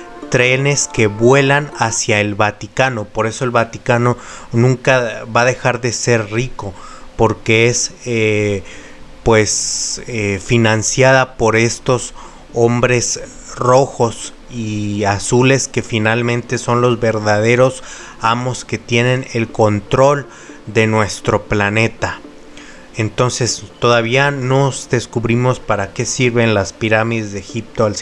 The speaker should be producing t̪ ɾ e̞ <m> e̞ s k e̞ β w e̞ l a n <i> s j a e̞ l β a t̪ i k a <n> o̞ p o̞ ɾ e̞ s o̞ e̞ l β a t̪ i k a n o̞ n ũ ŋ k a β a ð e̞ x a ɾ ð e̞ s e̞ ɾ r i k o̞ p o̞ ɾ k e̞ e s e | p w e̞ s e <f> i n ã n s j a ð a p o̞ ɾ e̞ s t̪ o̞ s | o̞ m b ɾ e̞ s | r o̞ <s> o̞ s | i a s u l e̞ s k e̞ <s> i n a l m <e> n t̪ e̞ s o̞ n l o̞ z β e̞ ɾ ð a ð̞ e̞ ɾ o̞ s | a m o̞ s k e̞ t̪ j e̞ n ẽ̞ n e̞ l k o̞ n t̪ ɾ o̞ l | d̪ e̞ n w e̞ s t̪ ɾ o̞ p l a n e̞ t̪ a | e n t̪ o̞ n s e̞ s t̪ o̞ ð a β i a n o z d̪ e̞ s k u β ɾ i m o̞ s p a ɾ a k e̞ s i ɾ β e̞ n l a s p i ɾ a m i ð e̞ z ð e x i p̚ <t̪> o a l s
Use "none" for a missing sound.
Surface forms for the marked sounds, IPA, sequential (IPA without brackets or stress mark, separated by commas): n, a, n, f, x, f, ẽ, t̪